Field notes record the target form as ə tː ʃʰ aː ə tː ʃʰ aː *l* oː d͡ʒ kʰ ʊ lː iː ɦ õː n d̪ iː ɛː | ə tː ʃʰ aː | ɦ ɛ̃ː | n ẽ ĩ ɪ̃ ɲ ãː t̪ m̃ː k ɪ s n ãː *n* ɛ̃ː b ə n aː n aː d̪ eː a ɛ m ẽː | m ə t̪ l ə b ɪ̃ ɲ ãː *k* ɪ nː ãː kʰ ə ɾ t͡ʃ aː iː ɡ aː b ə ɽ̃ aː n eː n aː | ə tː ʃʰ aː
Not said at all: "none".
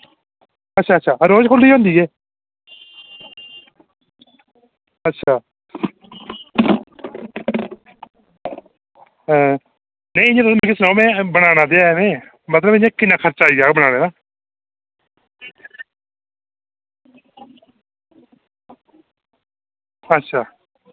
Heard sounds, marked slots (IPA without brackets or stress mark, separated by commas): ɾ, m, k